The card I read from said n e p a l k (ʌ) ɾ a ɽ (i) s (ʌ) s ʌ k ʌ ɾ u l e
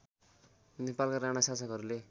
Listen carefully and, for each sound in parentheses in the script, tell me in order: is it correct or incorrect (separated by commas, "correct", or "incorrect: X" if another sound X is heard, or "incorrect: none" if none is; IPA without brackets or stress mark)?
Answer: incorrect: a, incorrect: a, incorrect: a